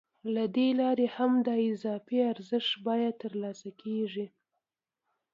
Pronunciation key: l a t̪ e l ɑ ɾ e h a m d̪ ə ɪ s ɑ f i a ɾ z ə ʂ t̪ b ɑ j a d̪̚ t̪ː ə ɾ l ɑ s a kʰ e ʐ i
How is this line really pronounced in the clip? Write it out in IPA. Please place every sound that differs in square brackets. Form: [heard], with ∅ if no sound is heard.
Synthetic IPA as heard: l a [d̪] e l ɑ ɾ e h a m d̪ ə ɪ [z] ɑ f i a ɾ z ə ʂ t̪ b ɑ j a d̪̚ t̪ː ə ɾ l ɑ s a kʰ e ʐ i